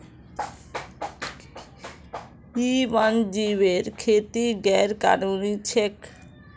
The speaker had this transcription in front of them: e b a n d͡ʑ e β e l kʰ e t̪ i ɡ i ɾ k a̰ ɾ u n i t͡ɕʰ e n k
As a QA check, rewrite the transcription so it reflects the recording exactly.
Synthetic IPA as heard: i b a n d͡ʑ i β e ɾ kʰ e t̪ i ɡ ɛ ɾ k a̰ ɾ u n i t͡ɕʰ e k